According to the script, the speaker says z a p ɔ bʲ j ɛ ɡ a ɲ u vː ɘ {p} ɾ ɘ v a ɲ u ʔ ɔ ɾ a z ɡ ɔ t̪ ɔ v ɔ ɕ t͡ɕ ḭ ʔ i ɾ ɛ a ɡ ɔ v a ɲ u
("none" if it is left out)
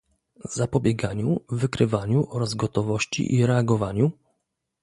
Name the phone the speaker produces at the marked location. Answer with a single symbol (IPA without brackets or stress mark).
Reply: k